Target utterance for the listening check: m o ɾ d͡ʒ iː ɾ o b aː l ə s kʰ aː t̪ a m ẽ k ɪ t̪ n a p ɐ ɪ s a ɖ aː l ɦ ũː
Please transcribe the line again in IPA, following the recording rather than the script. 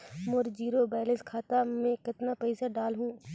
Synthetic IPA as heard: m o ɾ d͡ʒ iː ɾ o b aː l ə s kʰ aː t̪ a m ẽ k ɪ t̪ n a p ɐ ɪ s a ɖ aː l ɦ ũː